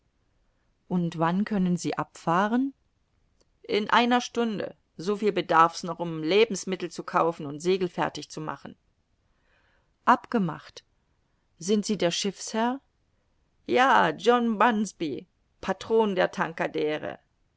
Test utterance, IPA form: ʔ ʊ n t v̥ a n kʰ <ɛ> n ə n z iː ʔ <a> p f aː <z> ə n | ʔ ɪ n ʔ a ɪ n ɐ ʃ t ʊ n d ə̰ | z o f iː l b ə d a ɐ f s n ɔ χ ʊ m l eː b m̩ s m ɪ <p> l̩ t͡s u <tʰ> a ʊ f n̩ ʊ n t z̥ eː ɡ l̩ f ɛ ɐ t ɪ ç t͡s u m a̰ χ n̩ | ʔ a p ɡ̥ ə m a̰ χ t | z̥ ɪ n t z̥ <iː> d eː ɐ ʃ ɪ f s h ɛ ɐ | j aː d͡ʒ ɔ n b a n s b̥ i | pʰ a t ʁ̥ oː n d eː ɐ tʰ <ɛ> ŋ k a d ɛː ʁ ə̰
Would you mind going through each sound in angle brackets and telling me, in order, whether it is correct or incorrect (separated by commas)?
incorrect, correct, incorrect, incorrect, incorrect, correct, incorrect